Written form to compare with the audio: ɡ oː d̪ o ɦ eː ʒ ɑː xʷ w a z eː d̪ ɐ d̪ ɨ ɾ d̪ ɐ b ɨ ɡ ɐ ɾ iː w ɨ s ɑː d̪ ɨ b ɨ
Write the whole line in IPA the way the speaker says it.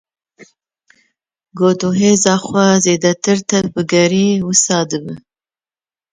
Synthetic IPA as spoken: ɡ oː d̪ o ɦ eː z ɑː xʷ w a z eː d̪ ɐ t̪ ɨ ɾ t̪ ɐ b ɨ ɡ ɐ ɾ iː w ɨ s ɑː d̪ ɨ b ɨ